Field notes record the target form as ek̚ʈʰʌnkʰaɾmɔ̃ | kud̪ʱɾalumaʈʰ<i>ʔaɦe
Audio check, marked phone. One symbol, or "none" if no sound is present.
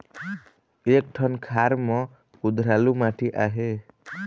i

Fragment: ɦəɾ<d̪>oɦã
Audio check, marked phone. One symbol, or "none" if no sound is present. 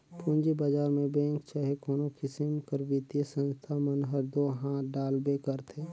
d̪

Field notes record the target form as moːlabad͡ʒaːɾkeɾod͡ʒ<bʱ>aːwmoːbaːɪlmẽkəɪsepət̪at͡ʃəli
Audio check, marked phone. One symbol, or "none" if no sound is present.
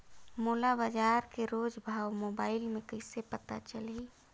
bʱ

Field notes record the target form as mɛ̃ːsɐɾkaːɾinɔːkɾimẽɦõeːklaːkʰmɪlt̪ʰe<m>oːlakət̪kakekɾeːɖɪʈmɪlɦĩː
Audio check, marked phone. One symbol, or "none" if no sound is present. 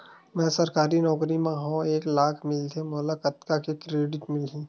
m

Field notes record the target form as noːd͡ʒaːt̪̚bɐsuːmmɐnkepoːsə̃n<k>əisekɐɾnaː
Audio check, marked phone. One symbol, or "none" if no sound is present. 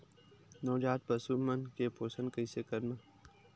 k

